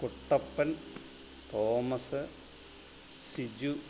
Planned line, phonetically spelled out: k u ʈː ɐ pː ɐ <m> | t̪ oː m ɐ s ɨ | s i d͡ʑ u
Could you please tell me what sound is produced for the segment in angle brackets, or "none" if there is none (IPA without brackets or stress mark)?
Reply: n